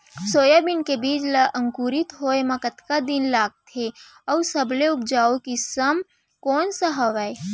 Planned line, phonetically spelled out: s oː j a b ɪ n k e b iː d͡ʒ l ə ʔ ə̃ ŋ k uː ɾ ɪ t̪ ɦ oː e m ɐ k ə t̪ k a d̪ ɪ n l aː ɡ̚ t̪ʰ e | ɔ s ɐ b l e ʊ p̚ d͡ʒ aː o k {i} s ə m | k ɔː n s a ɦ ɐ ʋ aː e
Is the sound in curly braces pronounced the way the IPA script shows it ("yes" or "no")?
yes